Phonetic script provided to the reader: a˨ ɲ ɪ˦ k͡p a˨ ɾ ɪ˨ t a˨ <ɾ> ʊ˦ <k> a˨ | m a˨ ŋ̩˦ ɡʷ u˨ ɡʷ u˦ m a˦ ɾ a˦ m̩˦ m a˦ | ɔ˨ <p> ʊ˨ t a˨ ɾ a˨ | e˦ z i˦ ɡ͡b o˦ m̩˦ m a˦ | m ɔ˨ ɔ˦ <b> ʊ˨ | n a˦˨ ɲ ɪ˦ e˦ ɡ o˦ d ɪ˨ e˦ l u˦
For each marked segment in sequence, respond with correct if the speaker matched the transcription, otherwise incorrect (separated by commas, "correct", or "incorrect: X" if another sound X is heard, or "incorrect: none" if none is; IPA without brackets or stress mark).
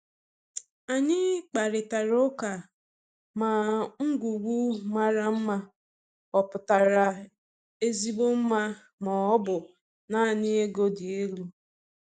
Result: correct, correct, correct, correct